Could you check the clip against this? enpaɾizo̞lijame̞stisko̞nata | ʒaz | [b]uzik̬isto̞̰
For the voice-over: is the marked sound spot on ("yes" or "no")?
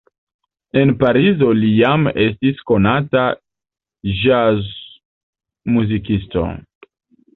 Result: no